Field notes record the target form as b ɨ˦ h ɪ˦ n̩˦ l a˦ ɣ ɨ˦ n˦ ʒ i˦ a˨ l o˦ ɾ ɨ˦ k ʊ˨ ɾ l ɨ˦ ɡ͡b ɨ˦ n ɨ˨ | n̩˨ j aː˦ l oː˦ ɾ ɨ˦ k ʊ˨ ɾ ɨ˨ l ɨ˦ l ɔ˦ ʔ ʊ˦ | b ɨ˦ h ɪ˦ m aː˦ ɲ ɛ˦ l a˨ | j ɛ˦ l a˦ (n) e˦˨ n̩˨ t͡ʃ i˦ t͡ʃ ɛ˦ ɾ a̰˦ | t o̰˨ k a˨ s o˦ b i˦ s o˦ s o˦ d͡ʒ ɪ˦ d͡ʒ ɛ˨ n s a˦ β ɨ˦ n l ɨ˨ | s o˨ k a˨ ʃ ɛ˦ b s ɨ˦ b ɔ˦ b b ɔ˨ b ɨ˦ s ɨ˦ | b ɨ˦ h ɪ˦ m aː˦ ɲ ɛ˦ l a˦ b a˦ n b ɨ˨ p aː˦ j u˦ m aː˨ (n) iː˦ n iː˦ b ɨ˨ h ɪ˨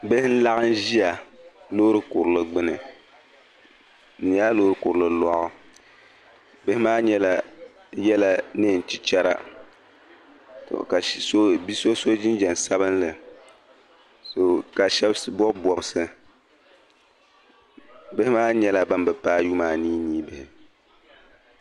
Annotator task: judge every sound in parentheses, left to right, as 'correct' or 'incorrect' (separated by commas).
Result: correct, correct